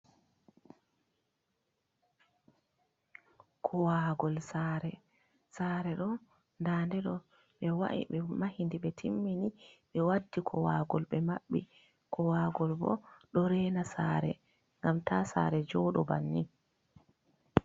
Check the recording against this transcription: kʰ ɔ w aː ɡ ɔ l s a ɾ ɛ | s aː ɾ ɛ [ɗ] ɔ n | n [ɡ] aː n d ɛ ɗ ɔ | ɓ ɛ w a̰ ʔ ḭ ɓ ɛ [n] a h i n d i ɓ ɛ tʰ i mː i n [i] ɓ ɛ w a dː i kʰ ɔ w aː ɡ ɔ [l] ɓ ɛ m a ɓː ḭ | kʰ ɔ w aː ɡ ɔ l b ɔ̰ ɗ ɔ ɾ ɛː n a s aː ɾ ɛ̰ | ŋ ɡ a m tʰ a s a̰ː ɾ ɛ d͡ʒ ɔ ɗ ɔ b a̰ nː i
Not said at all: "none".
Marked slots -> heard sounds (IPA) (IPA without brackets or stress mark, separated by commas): ɗ, d, m, i, l